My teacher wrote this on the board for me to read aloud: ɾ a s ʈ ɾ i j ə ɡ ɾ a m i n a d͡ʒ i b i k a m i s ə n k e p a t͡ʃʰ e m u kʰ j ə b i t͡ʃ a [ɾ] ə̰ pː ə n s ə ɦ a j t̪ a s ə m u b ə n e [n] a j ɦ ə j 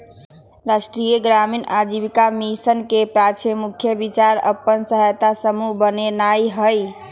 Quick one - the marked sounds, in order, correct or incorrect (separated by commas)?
correct, correct